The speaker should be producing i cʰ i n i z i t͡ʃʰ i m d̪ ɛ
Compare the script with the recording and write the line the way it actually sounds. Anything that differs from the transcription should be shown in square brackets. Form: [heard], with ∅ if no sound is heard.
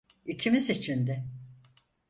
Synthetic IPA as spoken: i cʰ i [m] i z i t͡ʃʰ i [n] d̪ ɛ